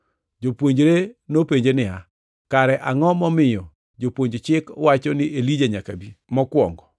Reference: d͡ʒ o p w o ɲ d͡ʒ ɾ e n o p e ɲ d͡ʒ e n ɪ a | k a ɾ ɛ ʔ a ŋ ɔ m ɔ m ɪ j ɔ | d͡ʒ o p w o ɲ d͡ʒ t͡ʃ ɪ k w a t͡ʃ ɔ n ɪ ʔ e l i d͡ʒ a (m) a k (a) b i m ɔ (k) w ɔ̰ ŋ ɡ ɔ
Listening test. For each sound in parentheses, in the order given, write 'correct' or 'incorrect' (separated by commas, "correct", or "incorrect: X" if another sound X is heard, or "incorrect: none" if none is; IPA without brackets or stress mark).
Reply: incorrect: ɲ, correct, correct